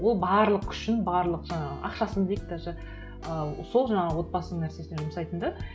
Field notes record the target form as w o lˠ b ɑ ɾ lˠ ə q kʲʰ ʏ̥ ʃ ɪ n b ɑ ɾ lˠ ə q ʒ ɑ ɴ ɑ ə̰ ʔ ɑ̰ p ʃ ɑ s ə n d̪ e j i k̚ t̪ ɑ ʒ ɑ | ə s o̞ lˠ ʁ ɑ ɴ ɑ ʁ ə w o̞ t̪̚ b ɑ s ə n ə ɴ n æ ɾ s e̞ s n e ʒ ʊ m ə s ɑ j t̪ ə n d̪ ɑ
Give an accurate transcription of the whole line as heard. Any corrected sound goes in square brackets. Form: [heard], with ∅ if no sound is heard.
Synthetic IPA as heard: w o lˠ b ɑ ɾ lˠ ə q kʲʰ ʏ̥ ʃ ɪ n b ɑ ɾ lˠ ə q ʒ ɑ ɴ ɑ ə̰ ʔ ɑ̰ [q] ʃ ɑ s ə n d̪ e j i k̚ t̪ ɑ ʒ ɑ | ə s o̞ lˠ [ʒ] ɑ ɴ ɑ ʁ ə w o̞ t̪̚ b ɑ s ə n ə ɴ n æ ɾ s e̞ s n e ʒ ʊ m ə s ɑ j t̪ ə n d̪ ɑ